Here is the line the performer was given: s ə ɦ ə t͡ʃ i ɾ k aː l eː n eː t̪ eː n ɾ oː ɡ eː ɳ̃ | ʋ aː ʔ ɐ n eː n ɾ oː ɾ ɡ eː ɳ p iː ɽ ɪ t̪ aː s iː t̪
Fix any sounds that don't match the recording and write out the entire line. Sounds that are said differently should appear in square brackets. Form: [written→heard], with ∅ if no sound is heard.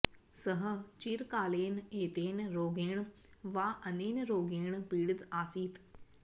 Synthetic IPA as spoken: s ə ɦ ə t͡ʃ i ɾ k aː l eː n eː t̪ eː n ɾ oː ɡ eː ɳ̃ | ʋ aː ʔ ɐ n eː n ɾ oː [ɾ→∅] ɡ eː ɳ p iː ɽ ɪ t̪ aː s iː t̪

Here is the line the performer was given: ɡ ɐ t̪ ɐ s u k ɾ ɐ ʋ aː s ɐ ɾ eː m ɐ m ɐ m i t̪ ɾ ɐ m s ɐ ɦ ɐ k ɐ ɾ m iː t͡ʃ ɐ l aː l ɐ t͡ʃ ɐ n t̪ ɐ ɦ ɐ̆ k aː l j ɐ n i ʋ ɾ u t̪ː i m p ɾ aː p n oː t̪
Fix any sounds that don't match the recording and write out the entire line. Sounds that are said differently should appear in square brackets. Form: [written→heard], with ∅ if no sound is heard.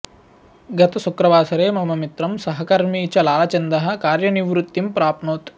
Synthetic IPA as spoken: ɡ ɐ t̪ ɐ s u k ɾ ɐ ʋ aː s ɐ ɾ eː m ɐ m ɐ m i t̪ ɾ ɐ m s ɐ ɦ ɐ k ɐ ɾ m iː t͡ʃ ɐ l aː l ɐ t͡ʃ ɐ n [t̪→d̪] ɐ ɦ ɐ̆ k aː [l→ɾ] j ɐ n i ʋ ɾ u t̪ː i m p ɾ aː p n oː t̪

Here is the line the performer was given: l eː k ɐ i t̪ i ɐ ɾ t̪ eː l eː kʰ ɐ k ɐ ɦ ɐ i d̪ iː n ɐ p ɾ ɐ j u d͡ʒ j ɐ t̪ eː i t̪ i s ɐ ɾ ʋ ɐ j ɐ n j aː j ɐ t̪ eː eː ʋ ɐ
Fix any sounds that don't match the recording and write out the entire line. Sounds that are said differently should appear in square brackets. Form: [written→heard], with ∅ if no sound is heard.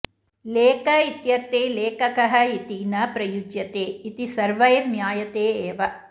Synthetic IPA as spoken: l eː k ɐ i t̪ [i→j] ɐ ɾ t̪ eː l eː [kʰ→k] ɐ k ɐ ɦ ɐ i [d̪→t̪] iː n ɐ p ɾ ɐ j u d͡ʒ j ɐ t̪ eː i t̪ i s ɐ ɾ ʋ ɐ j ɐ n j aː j ɐ t̪ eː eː ʋ ɐ

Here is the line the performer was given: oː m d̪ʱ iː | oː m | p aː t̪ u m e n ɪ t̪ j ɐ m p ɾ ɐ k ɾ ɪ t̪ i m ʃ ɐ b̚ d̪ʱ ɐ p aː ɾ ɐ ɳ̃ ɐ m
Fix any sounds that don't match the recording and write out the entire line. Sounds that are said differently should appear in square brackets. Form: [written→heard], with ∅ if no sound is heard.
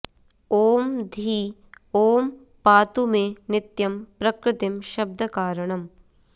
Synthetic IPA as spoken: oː m d̪ʱ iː | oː m | p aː t̪ u m e n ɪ t̪ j ɐ m p ɾ ɐ k ɾ ɪ t̪ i m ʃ ɐ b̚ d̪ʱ ɐ [p→k] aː ɾ ɐ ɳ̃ ɐ m

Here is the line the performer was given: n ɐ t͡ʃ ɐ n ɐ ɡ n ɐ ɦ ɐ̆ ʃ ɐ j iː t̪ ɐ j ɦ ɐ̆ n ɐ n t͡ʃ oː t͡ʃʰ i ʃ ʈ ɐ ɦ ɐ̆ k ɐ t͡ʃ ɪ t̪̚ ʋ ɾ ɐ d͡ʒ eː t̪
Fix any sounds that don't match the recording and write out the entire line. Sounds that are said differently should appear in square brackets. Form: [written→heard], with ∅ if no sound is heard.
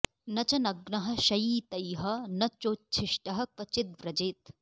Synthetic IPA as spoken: n ɐ t͡ʃ ɐ n ɐ ɡ n ɐ ɦ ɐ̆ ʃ ɐ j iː t̪ ɐ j ɦ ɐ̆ n ɐ [n→∅] t͡ʃ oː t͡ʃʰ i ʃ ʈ ɐ ɦ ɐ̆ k ɐ t͡ʃ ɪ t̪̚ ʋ ɾ ɐ d͡ʒ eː t̪

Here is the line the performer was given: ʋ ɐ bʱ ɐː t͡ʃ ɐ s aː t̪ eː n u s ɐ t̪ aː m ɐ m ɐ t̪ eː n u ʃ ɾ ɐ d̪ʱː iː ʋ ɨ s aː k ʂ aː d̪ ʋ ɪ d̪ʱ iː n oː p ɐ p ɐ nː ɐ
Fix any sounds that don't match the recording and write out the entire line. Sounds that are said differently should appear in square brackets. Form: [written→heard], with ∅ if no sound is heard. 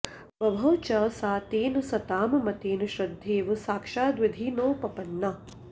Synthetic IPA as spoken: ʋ ɐ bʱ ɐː t͡ʃ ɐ s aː t̪ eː n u s ɐ t̪ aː m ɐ m ɐ t̪ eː n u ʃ ɾ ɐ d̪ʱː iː ʋ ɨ s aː k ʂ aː d̪ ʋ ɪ d̪ʱ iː n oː p ɐ p ɐ nː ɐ

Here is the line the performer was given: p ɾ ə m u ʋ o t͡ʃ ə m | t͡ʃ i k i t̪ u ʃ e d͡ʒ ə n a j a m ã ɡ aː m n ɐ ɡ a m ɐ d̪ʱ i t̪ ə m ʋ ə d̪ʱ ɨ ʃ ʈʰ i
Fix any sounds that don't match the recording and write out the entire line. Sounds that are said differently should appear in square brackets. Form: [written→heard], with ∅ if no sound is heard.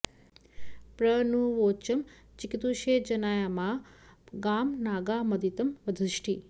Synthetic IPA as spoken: p ɾ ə [m→n] u ʋ o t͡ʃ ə m | t͡ʃ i k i t̪ u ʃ e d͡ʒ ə n a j a m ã ɡ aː m n [ɐ→a] ɡ a m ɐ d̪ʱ i t̪ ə m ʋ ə d̪ʱ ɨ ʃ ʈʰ i

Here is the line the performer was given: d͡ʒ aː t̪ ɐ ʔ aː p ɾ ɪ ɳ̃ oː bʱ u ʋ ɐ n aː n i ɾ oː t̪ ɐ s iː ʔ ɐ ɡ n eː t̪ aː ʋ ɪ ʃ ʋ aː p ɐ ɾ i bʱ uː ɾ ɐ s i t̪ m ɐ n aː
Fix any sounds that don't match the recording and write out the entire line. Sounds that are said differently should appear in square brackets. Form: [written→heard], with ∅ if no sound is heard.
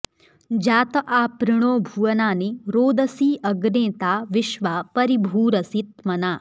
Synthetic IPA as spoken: d͡ʒ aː t̪ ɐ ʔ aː p ɾ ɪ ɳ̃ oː bʱ u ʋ ɐ n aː n i ɾ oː [t̪→d̪] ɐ s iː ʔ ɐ ɡ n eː t̪ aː ʋ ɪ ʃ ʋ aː p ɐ ɾ i bʱ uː ɾ ɐ s i t̪ m ɐ n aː

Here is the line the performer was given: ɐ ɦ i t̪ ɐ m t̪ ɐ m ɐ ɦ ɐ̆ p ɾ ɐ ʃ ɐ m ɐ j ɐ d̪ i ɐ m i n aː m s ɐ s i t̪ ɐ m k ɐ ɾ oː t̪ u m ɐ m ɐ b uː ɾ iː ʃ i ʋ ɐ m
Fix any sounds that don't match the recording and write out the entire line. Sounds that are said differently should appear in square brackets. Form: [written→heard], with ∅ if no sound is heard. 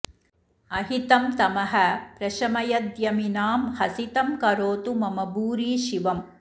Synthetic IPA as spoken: ɐ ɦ i t̪ ɐ m t̪ ɐ m ɐ ɦ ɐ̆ p ɾ ɐ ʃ ɐ m ɐ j ɐ d̪ [i→j] ɐ m i n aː m [s→h] ɐ s i t̪ ɐ m k ɐ ɾ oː t̪ u m ɐ m ɐ b uː ɾ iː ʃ i ʋ ɐ m

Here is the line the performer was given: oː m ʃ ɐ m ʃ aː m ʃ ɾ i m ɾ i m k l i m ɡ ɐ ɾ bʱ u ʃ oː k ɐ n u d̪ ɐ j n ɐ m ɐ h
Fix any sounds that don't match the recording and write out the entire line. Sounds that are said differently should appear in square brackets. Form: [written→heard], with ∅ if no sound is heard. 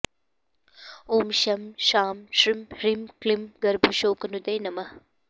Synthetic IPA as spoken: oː m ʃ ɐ m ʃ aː m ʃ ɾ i m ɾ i m k l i m ɡ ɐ ɾ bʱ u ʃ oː k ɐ n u d̪ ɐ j n ɐ m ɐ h

